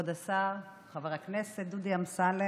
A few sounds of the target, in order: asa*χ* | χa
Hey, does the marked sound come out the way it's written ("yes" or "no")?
no